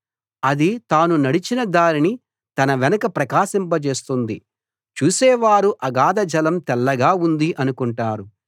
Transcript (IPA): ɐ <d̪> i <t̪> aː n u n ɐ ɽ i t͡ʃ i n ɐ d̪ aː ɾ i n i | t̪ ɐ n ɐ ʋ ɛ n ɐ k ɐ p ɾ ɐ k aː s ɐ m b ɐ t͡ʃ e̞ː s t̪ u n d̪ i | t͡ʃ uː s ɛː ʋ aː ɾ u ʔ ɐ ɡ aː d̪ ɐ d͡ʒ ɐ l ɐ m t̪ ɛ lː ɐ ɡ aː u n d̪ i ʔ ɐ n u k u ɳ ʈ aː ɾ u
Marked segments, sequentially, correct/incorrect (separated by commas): correct, correct